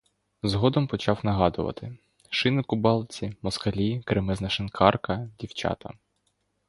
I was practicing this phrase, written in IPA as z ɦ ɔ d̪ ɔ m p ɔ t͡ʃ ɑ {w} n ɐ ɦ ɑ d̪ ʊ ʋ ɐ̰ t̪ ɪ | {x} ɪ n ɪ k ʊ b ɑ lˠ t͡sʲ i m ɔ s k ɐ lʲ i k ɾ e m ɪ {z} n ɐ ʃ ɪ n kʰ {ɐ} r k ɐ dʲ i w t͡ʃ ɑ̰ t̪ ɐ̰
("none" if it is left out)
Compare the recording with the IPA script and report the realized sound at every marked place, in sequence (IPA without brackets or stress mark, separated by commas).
w, ʃ, z, ɑ